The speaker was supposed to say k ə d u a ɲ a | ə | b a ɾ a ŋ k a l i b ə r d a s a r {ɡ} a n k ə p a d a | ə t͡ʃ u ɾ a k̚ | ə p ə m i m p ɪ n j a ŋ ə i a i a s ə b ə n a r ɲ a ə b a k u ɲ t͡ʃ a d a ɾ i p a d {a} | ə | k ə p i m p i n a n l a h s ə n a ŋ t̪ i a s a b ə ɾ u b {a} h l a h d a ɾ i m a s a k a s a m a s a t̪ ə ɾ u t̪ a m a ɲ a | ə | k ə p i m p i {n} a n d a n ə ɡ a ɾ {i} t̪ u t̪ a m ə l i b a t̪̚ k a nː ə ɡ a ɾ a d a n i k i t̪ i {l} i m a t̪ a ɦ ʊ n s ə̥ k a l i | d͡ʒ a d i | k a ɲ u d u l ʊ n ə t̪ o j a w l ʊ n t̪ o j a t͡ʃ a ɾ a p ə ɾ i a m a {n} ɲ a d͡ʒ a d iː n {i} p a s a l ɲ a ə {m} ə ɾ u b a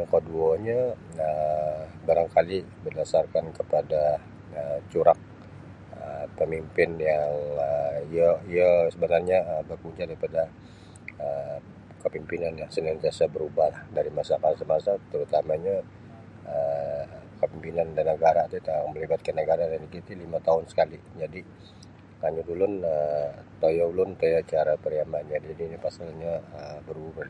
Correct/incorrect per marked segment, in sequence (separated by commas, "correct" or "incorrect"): incorrect, correct, correct, correct, incorrect, correct, correct, correct, incorrect